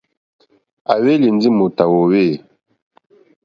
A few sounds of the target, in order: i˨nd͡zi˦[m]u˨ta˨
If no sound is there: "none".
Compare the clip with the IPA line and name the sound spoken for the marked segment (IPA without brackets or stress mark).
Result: m